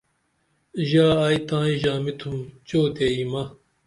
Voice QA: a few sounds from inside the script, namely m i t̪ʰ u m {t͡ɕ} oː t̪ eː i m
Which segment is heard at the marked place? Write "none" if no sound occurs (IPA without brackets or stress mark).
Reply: t͡ɕ